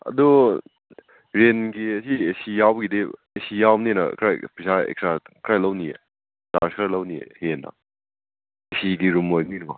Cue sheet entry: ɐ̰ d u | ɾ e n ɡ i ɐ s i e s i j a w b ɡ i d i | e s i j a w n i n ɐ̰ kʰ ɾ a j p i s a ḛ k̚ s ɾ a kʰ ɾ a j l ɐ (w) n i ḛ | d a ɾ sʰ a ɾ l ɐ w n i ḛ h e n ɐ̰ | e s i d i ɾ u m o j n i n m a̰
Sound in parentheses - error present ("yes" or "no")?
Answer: no